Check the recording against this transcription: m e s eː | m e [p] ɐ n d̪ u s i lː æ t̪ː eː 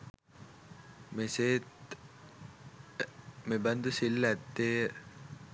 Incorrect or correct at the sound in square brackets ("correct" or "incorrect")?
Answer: incorrect